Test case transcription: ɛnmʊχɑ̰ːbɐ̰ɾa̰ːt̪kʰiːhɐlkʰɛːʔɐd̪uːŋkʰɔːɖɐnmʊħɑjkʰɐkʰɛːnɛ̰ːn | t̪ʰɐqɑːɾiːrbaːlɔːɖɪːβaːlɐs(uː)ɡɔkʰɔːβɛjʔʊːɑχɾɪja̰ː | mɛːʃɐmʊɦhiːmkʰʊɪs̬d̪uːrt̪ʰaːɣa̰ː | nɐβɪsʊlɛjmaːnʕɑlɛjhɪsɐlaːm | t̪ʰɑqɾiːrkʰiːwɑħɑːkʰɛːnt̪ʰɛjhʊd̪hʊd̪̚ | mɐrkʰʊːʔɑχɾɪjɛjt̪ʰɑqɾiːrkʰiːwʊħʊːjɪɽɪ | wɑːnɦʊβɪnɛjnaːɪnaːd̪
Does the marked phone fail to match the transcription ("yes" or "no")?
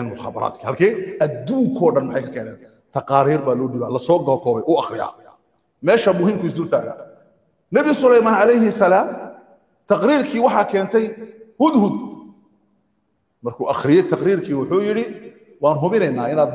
yes